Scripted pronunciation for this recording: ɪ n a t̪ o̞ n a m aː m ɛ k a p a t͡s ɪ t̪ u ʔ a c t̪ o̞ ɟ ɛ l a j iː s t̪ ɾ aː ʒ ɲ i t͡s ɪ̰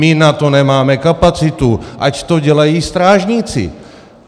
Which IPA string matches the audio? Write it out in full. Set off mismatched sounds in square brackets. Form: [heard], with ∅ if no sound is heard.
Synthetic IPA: ɪ n a t̪ o̞ n [ɛ] m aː m ɛ k a p a t͡s ɪ t̪ u ʔ a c t̪ o̞ ɟ ɛ l a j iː s t̪ ɾ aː ʒ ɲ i t͡s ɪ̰

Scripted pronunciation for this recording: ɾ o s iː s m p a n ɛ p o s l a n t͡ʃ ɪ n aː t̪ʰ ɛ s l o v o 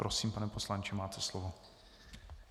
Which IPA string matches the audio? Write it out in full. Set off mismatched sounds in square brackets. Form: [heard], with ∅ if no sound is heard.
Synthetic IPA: ɾ o s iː [∅] m p a n ɛ p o s l a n t͡ʃ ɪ [m] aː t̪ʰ ɛ s l o v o

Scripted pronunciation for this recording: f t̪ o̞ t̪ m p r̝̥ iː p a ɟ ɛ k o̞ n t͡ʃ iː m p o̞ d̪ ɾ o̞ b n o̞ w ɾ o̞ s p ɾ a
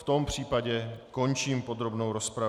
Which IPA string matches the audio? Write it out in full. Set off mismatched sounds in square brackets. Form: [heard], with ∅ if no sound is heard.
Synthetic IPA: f t̪ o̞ [∅] m p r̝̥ iː p a ɟ ɛ k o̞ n t͡ʃ iː m p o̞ d̪ ɾ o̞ b n o̞ w ɾ o̞ s p ɾ a

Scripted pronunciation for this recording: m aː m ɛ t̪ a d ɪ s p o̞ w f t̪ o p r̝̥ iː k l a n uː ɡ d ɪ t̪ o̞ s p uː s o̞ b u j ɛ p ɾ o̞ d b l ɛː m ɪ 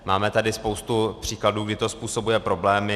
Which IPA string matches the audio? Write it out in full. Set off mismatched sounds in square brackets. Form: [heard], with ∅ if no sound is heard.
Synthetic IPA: m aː m ɛ t̪ a d ɪ s p o̞ w [s] t̪ [u] p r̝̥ iː k l a [d] uː ɡ d ɪ t̪ o̞ s p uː s o̞ b u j ɛ p ɾ o̞ [∅] b l ɛː m ɪ

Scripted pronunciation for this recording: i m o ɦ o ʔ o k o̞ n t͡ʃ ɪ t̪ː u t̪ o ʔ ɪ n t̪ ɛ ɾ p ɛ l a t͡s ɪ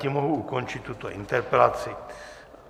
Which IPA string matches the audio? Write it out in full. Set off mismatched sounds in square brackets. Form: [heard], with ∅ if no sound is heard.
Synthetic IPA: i m o ɦ [u] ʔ [u] k o̞ n t͡ʃ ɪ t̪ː u t̪ o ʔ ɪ n t̪ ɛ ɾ p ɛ l a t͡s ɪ

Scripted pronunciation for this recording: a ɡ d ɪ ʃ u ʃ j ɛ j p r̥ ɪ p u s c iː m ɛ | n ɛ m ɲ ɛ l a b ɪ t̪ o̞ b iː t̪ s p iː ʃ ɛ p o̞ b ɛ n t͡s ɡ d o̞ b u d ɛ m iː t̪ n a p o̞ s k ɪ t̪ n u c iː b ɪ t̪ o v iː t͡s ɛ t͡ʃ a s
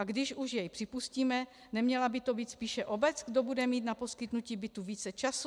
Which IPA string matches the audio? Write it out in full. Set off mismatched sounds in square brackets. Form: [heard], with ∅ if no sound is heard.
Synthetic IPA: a ɡ d ɪ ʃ u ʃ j ɛ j p r̥ ɪ p u s c iː m ɛ | n ɛ m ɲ ɛ l a b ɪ t̪ o̞ b iː t̪ s p iː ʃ ɛ [ʔ] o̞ b ɛ [∅] t͡s ɡ d o̞ b u d ɛ m iː t̪ n a p o̞ s k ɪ t̪ n u c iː b ɪ t̪ [u] v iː t͡s ɛ t͡ʃ a s

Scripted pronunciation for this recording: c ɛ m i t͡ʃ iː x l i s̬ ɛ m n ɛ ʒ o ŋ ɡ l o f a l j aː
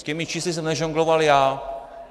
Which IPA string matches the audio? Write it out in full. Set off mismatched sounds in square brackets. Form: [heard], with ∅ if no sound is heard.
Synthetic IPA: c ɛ m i t͡ʃ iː [s] l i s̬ ɛ m n ɛ ʒ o ŋ ɡ l o [v] a l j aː

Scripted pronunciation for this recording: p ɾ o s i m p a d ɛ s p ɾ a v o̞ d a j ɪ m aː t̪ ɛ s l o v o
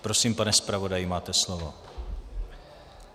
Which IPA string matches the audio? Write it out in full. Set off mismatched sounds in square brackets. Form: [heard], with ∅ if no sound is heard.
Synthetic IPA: p ɾ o s i m p a [n] ɛ s p ɾ a v o̞ d a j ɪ m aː t̪ ɛ s l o v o

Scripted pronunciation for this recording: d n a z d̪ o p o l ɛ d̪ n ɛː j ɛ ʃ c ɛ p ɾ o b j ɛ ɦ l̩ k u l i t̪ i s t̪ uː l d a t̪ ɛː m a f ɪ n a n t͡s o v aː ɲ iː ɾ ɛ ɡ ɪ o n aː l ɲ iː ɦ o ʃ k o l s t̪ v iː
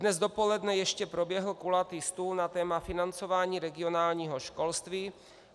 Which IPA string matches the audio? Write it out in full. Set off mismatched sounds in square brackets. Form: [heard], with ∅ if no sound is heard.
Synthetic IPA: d n [ɛ] z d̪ o p o l ɛ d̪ n [ɛ] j ɛ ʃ c ɛ p ɾ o b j ɛ ɦ l̩ k u l [a] t̪ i s t̪ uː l [n] a t̪ ɛː m a f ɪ n a n t͡s o v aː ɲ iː ɾ ɛ ɡ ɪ o n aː l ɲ iː ɦ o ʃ k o l s t̪ v iː

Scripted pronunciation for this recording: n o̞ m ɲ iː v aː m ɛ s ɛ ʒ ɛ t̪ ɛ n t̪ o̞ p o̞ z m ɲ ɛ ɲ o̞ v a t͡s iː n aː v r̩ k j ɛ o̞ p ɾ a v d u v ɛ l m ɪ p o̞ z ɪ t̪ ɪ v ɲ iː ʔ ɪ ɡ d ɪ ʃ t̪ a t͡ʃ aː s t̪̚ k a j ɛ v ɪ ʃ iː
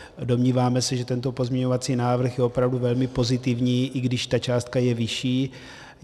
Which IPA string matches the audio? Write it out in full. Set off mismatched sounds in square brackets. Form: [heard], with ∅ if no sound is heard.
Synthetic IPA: [d] o̞ m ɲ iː v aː m ɛ s ɛ ʒ ɛ t̪ ɛ n t̪ o̞ p o̞ z m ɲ ɛ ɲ o̞ v a t͡s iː n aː v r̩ [x] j ɛ o̞ p ɾ a v d u v ɛ l m ɪ p o̞ z ɪ t̪ ɪ v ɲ iː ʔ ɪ ɡ d ɪ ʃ t̪ a t͡ʃ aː s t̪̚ k a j ɛ v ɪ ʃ iː

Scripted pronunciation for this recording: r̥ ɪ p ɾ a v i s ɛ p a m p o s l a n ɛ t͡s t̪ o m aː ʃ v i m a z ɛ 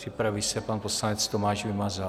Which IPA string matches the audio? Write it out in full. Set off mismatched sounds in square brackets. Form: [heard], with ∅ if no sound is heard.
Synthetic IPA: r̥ ɪ p ɾ a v i s ɛ p a [n] p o s l a n ɛ t͡s t̪ o m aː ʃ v [ɪ] m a z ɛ

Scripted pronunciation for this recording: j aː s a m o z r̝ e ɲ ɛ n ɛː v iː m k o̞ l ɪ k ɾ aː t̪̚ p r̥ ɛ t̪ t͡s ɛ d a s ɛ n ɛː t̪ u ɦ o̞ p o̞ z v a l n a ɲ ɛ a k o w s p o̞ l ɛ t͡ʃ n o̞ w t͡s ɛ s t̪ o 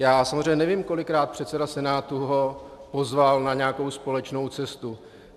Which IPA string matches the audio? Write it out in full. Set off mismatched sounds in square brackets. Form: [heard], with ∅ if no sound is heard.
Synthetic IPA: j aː s a m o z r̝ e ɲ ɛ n [ɛ] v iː m k o̞ l ɪ k ɾ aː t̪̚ p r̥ ɛ t̪ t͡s ɛ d a s ɛ n [aː] t̪ u ɦ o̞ p o̞ z v a l n a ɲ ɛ a k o w s p o̞ l ɛ t͡ʃ n o̞ w t͡s ɛ s t̪ [u]

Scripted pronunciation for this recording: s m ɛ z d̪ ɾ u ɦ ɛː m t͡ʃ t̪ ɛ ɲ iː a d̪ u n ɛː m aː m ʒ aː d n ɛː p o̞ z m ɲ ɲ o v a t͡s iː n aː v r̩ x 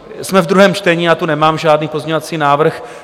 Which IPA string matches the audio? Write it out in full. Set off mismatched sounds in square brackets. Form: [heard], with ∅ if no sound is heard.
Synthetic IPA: s m ɛ [v] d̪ ɾ u ɦ ɛː m t͡ʃ t̪ ɛ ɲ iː a [t̪] u n [ɛ] m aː m ʒ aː d n [iː] p o̞ z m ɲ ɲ o v a t͡s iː n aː v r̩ x

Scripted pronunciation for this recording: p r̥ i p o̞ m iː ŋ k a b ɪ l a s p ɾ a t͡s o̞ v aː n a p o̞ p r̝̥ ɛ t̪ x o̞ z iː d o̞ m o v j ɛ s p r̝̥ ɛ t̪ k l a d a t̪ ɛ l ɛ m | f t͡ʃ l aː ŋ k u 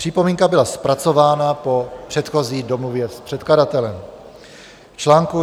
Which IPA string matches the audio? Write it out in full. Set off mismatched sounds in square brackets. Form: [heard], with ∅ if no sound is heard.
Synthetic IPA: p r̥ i p o̞ m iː ŋ k a b ɪ l a s p ɾ a t͡s o̞ v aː n a p o̞ p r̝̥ ɛ t̪ x o̞ z iː d o̞ m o v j ɛ s p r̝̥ ɛ t̪ k l a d a t̪ ɛ l ɛ m | f t͡ʃ l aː ŋ k u

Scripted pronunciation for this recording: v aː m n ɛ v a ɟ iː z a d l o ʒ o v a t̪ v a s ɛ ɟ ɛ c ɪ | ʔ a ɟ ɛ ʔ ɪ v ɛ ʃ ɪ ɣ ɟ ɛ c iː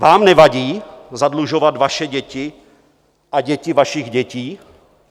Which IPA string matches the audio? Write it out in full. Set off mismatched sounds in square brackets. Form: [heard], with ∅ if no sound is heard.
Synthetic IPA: v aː m n ɛ v a ɟ iː z a d l [u] ʒ o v a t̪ v a [ʃ] ɛ ɟ ɛ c ɪ | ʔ a ɟ ɛ [c] ɪ v [a] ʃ ɪ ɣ ɟ ɛ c iː

